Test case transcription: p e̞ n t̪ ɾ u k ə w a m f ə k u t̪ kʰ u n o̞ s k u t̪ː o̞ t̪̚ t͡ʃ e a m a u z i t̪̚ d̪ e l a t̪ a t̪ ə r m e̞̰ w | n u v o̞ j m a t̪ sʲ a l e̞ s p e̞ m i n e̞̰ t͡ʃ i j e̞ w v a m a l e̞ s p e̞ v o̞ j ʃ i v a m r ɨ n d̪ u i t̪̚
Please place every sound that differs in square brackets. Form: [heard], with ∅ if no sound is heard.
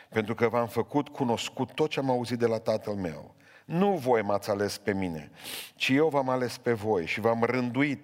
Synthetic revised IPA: p e̞ n t̪ ɾ u k ə [v] a m f ə k u t̪ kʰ u n o̞ s k u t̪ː o̞ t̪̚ t͡ʃ e a m a u z i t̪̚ d̪ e l a t̪ a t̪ ə [l] m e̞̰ w | n u v o̞ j m a t̪ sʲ a l e̞ s p e̞ m i n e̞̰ t͡ʃ i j e̞ w v a m a l e̞ s p e̞ v o̞ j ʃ i v a m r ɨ n d̪ u i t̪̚